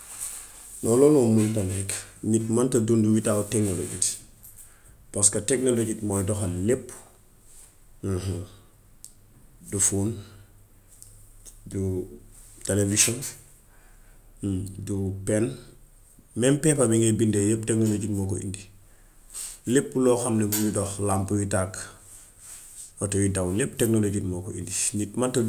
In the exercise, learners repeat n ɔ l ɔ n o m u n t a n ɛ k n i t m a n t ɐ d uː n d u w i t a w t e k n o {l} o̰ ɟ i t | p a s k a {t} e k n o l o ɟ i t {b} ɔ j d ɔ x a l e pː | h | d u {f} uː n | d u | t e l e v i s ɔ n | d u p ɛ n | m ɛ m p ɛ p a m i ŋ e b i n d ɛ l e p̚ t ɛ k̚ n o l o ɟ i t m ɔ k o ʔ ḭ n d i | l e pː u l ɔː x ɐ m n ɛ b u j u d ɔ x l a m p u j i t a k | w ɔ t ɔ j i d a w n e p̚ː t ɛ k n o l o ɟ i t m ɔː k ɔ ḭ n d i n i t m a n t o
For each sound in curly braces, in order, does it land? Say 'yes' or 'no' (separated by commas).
yes, yes, no, yes